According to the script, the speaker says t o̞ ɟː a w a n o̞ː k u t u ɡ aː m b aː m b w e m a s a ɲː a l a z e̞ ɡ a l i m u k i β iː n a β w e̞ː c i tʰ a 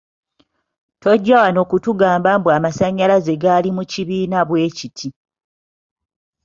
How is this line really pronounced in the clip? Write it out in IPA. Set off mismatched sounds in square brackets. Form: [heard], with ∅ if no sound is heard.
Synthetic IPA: t o̞ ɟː a w a n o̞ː k u t u ɡ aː m b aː m b w [a] m a s a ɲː a l a z e̞ ɡ a l i m u [c] i β iː n a β w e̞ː c i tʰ [i]